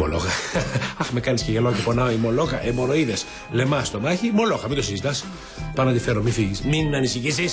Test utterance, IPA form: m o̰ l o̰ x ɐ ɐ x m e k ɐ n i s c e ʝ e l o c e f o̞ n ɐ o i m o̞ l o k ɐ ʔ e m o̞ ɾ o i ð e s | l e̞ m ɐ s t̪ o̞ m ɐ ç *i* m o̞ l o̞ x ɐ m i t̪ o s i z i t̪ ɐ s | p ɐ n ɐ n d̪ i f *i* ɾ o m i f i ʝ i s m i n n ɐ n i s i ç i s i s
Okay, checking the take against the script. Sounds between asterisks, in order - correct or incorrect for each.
correct, incorrect

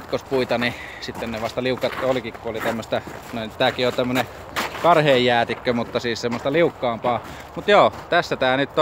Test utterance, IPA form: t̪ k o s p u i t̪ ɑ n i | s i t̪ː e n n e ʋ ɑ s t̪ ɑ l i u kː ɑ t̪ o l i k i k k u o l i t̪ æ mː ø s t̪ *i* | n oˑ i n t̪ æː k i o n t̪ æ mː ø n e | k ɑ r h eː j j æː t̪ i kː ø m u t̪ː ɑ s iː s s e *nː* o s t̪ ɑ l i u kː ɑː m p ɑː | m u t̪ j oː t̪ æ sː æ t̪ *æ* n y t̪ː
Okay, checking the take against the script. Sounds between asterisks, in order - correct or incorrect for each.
incorrect, incorrect, incorrect

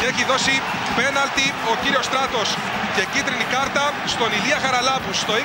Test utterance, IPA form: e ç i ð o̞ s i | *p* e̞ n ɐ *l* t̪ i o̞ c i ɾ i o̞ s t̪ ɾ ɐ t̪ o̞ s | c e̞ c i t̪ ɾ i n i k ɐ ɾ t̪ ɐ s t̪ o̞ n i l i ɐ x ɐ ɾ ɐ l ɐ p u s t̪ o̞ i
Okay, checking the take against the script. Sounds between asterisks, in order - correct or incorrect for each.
correct, correct

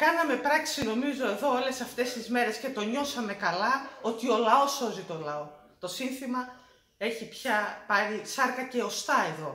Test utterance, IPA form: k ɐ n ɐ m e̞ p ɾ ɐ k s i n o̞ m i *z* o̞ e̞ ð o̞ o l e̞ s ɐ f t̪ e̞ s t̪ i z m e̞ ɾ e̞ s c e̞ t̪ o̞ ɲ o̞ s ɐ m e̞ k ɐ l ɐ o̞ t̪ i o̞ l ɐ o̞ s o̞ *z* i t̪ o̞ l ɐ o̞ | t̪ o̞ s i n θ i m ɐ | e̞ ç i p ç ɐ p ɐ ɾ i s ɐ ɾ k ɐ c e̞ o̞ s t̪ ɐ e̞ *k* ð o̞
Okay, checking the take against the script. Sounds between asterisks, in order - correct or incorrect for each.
correct, correct, incorrect

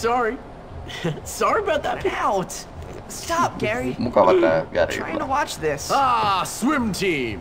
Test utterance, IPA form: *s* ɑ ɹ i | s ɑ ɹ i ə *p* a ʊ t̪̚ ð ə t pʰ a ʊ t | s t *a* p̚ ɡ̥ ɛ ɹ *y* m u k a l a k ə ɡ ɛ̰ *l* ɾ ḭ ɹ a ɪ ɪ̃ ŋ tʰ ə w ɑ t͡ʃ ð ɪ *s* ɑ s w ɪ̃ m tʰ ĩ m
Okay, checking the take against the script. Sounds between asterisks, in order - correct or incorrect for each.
correct, incorrect, incorrect, incorrect, incorrect, correct

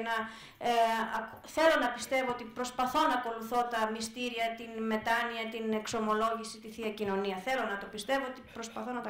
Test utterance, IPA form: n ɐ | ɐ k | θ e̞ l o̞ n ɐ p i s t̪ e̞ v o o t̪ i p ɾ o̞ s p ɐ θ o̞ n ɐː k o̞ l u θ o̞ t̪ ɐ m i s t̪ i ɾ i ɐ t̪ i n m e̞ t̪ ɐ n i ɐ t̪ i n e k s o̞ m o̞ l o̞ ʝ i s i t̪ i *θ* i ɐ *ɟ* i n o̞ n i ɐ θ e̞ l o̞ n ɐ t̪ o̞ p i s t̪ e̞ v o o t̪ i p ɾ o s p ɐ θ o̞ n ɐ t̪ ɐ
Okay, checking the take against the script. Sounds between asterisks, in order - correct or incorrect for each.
correct, incorrect

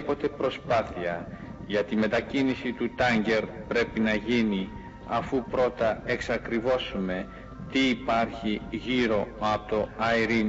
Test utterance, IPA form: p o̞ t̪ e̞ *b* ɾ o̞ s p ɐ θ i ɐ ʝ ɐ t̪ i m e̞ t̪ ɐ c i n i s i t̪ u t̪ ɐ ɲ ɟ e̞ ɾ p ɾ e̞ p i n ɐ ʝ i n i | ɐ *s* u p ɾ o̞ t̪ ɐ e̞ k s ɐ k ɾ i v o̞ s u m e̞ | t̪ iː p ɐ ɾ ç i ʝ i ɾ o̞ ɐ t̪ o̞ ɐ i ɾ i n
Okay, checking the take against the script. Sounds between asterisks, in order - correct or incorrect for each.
incorrect, incorrect

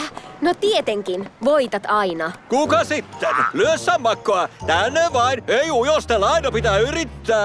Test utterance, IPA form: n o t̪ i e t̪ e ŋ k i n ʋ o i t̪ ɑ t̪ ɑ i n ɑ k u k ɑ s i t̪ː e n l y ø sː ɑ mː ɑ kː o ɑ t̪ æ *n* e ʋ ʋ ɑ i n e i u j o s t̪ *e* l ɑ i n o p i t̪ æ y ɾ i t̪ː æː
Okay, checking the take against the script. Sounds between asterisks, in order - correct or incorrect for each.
incorrect, correct

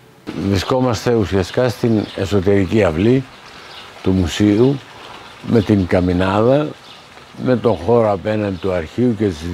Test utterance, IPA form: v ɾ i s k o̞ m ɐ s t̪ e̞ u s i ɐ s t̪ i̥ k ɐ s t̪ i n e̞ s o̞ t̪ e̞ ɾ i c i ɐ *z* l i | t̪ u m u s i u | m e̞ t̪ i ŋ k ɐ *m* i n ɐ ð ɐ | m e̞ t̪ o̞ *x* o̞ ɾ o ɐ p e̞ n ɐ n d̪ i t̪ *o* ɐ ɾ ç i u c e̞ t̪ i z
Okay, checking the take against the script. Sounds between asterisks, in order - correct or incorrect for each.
incorrect, correct, correct, incorrect

